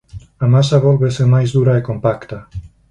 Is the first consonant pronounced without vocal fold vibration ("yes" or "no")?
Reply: no